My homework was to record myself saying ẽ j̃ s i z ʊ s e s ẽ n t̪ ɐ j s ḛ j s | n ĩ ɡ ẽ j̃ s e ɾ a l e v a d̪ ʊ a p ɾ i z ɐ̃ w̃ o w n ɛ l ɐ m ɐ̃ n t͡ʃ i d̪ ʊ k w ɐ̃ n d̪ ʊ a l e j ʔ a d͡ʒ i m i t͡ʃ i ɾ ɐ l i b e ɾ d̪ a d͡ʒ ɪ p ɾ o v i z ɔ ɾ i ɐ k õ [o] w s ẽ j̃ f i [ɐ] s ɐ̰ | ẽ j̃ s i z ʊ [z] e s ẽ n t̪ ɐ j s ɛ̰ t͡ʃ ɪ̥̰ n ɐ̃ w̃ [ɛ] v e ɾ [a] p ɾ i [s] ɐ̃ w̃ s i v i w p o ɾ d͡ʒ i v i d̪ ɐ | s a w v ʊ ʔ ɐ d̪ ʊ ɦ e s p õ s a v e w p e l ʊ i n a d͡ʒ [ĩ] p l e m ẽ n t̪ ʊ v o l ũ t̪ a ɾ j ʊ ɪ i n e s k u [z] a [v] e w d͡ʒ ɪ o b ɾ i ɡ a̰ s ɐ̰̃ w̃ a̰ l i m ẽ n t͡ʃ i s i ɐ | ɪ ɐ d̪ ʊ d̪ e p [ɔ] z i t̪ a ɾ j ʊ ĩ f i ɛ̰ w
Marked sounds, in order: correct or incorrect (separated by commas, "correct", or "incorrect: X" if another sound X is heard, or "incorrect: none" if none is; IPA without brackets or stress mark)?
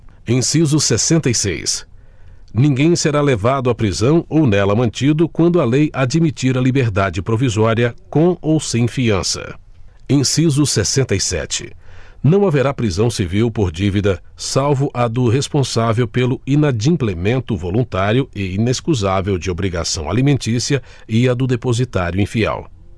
correct, incorrect: ɐ̃, incorrect: s, incorrect: a, correct, incorrect: z, correct, correct, correct, incorrect: o